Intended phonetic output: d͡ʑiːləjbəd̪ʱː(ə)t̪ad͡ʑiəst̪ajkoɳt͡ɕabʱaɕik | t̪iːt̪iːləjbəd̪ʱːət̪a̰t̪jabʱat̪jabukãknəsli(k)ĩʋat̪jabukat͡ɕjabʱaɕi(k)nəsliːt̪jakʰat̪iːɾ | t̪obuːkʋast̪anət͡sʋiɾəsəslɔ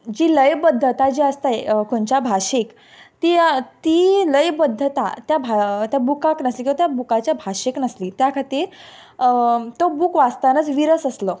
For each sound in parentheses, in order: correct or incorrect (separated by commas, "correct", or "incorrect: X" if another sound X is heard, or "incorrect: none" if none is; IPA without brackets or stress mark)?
correct, correct, correct